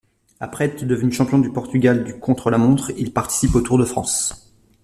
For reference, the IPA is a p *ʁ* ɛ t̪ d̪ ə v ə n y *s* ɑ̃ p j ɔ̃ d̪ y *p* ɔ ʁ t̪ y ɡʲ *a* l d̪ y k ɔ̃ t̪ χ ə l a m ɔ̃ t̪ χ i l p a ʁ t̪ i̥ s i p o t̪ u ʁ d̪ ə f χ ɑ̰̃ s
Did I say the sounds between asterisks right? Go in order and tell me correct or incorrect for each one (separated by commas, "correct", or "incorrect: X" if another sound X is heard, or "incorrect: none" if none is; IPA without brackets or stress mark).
incorrect: χ, incorrect: ʃ, correct, correct